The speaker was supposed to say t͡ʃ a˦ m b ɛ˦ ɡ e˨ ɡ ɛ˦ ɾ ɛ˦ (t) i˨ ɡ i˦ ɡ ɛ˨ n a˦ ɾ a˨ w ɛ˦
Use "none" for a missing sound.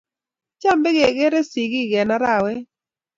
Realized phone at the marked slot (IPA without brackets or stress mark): s